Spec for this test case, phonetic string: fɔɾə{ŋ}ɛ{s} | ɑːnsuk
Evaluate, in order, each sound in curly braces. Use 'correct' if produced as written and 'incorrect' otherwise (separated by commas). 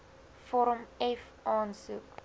incorrect, incorrect